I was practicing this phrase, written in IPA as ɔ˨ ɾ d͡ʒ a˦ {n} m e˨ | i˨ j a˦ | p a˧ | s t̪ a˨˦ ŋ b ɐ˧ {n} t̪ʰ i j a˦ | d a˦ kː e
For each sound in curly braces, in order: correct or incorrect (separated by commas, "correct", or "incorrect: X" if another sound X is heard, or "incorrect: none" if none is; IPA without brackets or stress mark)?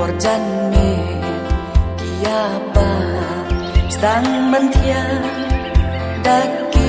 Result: correct, correct